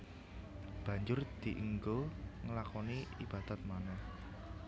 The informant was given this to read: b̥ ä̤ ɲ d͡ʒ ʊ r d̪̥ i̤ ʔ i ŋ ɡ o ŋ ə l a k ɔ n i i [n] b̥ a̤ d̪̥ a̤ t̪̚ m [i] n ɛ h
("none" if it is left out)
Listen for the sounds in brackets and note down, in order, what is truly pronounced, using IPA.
none, a

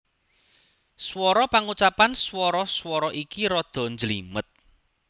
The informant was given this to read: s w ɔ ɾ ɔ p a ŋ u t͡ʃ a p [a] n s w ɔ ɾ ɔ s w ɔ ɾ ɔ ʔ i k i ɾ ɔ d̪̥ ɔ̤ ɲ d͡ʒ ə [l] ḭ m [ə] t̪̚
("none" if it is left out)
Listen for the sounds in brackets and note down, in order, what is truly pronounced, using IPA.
a, l, ə

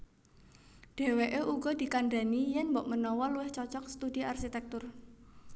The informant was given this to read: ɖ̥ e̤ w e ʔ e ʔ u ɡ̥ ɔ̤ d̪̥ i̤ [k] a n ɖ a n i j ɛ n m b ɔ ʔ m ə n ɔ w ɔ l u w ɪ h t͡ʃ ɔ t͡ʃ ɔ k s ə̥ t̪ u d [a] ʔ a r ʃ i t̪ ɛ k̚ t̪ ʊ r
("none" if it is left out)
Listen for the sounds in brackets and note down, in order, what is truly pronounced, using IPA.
k, i

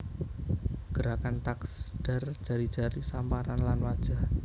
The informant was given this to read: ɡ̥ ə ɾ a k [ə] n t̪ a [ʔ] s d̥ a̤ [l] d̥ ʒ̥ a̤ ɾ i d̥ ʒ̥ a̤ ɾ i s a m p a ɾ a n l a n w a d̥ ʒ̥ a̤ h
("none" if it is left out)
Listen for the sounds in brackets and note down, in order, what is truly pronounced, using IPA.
a, k, r

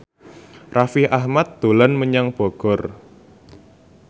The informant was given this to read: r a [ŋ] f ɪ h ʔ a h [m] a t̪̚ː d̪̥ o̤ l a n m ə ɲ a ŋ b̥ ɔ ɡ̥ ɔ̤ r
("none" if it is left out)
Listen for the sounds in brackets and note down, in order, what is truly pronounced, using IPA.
none, m

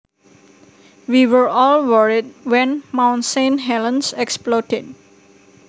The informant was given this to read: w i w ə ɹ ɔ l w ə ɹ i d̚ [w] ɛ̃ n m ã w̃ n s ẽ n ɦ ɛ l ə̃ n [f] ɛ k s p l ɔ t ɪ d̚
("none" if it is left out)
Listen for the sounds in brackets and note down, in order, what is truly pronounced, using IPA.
w, s

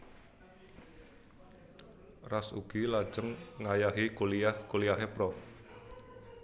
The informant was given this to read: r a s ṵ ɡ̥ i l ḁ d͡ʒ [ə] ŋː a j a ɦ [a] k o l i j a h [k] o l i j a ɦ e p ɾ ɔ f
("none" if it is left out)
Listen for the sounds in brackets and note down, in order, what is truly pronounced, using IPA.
ə, i, k

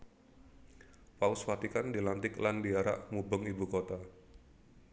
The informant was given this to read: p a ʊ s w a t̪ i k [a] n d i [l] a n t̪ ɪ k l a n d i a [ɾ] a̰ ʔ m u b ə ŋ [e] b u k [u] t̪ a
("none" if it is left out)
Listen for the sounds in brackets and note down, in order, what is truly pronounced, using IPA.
a, l, ɾ, i, o

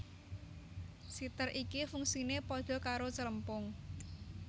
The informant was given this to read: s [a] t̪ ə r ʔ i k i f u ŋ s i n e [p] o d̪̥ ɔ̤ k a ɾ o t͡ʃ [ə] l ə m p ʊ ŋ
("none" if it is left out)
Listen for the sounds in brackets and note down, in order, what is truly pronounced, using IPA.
i, p, ə

